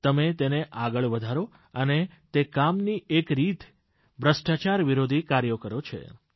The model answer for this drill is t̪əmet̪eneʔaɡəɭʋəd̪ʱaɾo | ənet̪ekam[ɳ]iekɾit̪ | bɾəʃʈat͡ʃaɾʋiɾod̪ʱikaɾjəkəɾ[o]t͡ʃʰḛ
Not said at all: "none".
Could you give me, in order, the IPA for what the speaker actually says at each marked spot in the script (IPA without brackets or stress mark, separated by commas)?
n, o